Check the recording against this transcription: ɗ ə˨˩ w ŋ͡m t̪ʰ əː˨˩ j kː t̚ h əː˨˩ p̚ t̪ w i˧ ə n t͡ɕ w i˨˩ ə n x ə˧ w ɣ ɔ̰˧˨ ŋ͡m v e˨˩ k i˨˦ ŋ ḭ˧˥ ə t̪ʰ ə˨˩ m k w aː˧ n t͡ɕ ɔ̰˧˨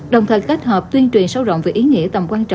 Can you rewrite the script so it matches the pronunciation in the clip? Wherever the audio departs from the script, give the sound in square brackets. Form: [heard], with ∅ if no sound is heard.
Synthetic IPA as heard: ɗ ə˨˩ w ŋ͡m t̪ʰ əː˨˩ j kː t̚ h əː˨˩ p̚ t̪ w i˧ ə n t͡ɕ w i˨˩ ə n [s] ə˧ w [z] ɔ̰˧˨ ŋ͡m v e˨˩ [ʔ] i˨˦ ŋ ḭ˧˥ ə [t̪] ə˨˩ m k w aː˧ n t͡ɕ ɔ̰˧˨